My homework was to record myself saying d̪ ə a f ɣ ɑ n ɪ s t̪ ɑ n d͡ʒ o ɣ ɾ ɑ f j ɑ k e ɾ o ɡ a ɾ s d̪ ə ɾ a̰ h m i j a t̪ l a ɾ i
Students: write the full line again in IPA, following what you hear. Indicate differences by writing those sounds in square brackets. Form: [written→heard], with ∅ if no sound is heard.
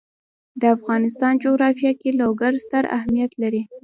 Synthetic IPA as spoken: d̪ ə a f ɣ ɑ n ɪ s t̪ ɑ n d͡ʒ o ɣ ɾ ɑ f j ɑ k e [ɾ→l] o ɡ a ɾ s [d̪→t̪] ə ɾ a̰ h m i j a t̪ l a ɾ i